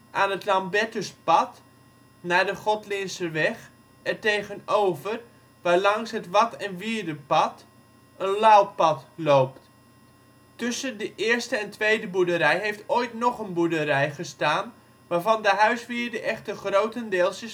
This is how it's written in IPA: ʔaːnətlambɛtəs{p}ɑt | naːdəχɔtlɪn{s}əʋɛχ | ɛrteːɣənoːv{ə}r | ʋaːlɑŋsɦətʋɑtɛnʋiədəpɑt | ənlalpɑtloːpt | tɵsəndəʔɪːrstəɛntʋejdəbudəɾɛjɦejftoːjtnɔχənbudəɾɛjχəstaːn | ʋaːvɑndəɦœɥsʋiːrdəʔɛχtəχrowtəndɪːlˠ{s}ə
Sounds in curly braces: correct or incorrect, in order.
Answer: correct, correct, correct, correct

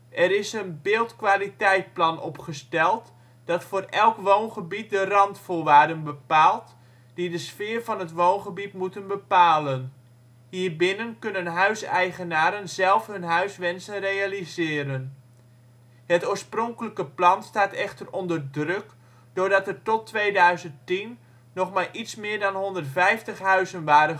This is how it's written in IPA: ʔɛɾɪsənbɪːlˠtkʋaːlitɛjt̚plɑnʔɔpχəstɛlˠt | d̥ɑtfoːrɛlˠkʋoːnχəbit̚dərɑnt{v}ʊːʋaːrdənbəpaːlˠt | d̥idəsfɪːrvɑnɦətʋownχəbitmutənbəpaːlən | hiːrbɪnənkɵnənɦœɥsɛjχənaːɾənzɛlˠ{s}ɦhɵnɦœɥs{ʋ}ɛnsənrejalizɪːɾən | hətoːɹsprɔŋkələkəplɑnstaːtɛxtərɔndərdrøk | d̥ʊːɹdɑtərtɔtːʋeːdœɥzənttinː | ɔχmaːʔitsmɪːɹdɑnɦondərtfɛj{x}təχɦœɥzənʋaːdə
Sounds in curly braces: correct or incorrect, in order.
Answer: incorrect: f, incorrect: f, correct, incorrect: f

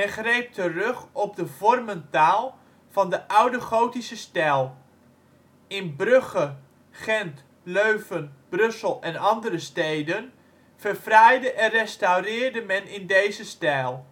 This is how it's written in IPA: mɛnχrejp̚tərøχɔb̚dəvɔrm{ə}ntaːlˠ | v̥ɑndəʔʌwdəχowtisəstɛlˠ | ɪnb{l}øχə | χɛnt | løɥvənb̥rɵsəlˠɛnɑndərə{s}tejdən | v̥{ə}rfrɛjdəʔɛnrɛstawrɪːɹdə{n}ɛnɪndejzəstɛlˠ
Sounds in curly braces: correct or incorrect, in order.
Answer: correct, incorrect: r, correct, correct, incorrect: m

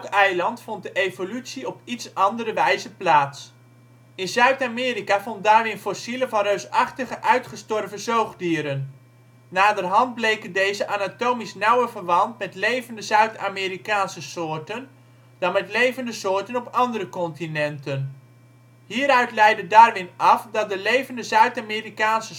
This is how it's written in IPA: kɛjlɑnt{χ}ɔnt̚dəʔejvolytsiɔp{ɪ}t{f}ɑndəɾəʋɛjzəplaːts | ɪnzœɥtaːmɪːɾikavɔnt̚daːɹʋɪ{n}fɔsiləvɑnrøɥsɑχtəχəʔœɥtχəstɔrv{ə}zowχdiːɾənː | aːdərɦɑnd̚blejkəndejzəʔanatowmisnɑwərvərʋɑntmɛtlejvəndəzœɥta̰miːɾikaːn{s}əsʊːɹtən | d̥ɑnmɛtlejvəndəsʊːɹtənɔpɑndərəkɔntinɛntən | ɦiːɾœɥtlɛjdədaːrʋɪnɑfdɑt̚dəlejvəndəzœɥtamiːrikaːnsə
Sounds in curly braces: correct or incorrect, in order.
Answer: incorrect: f, incorrect: i, incorrect: s, correct, correct, correct

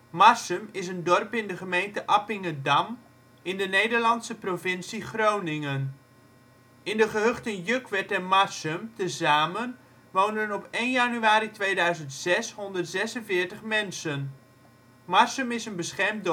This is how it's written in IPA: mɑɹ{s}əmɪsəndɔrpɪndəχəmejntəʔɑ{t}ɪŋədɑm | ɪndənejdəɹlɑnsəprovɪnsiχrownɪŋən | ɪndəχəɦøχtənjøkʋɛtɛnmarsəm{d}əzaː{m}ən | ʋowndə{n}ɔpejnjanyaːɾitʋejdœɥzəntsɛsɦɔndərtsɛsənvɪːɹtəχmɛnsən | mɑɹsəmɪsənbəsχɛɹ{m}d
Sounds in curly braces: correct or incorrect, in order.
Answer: correct, incorrect: p, incorrect: t, correct, correct, correct

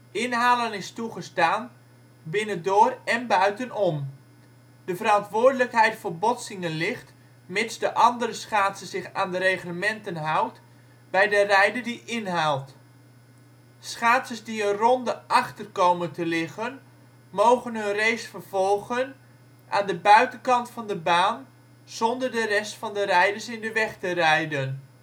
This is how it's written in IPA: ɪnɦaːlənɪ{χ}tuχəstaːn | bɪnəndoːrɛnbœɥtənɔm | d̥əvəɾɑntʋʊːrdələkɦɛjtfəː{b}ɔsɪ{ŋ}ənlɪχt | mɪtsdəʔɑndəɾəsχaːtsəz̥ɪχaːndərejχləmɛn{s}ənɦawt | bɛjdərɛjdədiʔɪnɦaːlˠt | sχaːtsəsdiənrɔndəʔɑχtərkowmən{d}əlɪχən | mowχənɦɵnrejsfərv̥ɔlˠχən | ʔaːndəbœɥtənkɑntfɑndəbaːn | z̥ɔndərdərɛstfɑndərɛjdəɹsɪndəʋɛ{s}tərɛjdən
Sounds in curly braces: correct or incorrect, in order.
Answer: incorrect: s, correct, correct, incorrect: t, incorrect: t, incorrect: χ

